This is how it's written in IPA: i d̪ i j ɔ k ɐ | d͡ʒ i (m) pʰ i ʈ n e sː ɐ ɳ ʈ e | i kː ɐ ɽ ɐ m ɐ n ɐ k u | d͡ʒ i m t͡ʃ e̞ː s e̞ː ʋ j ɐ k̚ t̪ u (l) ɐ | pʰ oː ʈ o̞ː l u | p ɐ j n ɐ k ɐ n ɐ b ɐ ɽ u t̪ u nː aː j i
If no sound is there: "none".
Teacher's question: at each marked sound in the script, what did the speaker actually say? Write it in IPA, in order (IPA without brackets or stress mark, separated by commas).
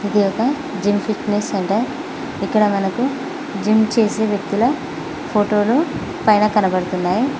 m, l